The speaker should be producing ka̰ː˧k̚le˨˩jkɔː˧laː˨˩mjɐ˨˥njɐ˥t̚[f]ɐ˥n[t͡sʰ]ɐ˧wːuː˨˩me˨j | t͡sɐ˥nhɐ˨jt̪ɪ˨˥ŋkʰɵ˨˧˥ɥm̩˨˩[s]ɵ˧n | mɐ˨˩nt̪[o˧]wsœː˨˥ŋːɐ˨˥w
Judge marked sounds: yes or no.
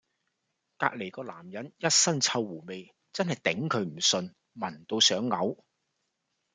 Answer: no, yes, yes, yes

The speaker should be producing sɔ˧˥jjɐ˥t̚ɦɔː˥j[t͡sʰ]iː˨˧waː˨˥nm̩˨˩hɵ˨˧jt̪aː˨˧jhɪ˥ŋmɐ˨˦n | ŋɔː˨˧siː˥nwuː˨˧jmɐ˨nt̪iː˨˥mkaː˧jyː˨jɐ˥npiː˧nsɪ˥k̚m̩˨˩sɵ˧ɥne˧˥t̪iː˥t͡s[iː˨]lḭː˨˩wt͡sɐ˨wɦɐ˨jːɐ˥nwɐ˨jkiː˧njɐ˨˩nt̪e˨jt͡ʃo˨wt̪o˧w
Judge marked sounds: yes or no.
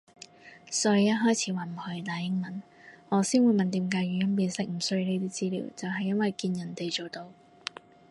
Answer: yes, no

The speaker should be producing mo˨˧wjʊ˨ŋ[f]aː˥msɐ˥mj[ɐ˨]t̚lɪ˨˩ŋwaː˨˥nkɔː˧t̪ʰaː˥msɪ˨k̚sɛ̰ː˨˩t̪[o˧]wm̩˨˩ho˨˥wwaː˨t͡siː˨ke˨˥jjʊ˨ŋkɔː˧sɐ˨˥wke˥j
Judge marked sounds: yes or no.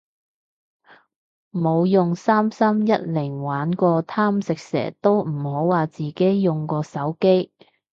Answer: no, no, no

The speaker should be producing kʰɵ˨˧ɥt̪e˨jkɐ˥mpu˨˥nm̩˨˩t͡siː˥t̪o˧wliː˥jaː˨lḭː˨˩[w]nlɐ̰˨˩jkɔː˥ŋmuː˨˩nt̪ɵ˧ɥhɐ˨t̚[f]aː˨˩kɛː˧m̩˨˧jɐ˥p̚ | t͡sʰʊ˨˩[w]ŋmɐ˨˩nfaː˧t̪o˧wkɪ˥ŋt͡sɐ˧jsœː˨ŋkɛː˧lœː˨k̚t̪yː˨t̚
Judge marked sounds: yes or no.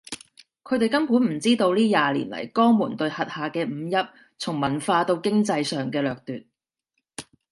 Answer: no, no, no

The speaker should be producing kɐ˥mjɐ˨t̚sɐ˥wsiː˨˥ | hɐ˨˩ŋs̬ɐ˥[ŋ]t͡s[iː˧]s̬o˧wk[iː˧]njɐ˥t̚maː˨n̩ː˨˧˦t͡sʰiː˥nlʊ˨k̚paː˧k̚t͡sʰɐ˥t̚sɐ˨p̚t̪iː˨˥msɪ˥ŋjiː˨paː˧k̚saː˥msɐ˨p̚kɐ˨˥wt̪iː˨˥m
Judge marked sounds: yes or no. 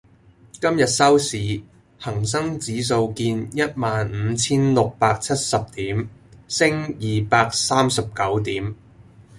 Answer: yes, no, yes

